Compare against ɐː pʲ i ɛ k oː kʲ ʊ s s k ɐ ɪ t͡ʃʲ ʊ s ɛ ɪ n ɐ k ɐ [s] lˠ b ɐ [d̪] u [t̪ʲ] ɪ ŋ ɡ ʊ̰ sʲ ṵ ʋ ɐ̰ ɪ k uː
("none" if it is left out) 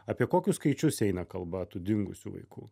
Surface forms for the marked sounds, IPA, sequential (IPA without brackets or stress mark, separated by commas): none, t̪, d̪ʲ